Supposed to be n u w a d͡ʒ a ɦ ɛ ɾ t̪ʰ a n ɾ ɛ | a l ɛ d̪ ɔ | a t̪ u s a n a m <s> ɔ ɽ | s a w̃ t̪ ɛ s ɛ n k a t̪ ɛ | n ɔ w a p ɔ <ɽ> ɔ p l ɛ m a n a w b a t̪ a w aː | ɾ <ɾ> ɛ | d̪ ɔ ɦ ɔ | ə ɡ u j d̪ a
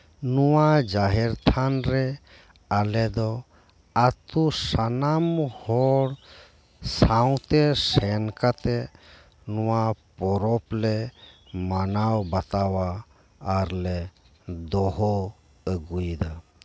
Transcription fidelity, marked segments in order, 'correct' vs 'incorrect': incorrect: h, incorrect: ɾ, incorrect: l

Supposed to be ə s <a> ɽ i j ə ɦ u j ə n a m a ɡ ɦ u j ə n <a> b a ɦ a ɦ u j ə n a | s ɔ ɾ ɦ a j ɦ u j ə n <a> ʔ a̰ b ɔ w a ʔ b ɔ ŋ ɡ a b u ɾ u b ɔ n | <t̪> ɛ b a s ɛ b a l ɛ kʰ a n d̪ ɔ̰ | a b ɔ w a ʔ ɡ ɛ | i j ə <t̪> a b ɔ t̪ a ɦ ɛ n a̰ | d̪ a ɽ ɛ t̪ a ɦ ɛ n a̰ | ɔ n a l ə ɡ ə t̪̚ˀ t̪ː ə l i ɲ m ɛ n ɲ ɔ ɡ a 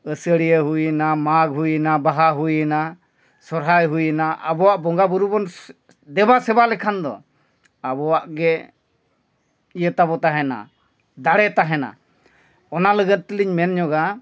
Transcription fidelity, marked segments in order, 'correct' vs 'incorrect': incorrect: ə, correct, correct, incorrect: d̪, correct

